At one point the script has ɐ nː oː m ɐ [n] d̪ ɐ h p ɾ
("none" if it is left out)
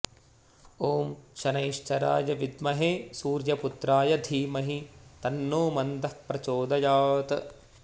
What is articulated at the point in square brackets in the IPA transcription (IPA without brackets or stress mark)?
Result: n